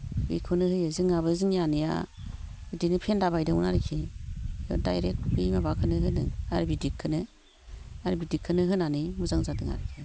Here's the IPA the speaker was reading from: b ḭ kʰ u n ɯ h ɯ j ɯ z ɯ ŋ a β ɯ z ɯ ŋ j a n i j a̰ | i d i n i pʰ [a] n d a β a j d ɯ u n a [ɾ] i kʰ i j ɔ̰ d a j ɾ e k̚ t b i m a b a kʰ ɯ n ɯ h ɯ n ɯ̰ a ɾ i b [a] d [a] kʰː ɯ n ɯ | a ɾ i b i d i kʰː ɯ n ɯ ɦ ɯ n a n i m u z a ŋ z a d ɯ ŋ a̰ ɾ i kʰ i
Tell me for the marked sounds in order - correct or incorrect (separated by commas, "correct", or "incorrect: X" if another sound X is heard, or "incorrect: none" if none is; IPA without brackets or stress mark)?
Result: incorrect: e, correct, incorrect: i, incorrect: i